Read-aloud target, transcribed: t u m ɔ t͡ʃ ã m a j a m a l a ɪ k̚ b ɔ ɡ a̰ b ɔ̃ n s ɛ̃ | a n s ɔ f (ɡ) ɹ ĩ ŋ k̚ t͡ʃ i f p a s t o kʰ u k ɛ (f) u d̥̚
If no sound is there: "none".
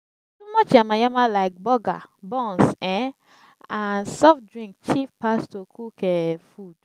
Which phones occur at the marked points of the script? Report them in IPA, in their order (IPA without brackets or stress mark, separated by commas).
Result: d, f